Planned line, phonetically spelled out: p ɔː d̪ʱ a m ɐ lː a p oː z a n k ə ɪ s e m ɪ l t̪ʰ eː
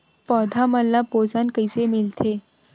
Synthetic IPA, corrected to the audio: p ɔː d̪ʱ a m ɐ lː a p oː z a n k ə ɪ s e m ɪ l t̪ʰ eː

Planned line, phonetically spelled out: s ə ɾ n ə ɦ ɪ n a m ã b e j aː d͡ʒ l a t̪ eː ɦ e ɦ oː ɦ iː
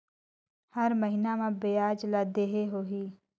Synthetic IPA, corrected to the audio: h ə ɾ m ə ɦ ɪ n a m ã b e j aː d͡ʒ l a d̪ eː ɦ e ɦ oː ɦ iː

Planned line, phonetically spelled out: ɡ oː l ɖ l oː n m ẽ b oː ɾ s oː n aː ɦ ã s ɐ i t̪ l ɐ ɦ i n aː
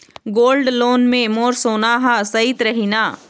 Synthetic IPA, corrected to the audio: ɡ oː l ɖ l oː n m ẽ m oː ɾ s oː n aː ɦ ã s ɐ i t̪ ɾ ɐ ɦ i n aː

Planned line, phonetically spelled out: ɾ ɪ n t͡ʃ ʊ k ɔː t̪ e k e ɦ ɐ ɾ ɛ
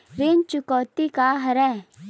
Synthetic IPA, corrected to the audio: ɾ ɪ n t͡ʃ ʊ k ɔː t̪ i k a ɦ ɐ ɾ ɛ

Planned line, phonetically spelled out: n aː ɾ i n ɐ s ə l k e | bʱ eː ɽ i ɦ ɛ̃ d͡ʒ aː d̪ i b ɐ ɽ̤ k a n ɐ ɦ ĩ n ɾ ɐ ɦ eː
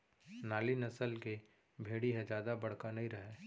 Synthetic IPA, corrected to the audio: n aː l i n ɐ s ə l k e | bʱ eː ɽ i ɦ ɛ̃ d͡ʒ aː d̪ a b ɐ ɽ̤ k a n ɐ ɦ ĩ ɾ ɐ ɦ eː

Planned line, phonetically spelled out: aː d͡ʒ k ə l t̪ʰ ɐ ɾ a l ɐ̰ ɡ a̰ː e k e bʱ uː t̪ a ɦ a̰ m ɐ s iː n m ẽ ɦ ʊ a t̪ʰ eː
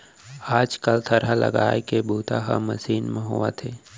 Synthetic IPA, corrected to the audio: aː d͡ʒ k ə l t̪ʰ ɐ ɾ a l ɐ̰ ɡ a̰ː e k e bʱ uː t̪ a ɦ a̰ m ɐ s iː n m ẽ ɦ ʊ a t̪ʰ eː

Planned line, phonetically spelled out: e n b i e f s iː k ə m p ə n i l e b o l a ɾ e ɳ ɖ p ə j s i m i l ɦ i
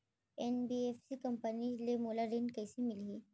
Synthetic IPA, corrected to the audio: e n b i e f s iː k ə m p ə n i l e m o l a ɾ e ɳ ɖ k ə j s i m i l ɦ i

